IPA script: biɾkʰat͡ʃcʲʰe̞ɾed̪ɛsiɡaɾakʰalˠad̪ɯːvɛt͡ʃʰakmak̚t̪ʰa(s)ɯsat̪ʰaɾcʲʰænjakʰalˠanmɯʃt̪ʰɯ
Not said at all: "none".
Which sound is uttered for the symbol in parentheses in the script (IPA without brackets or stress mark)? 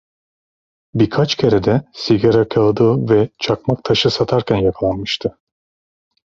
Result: ʃ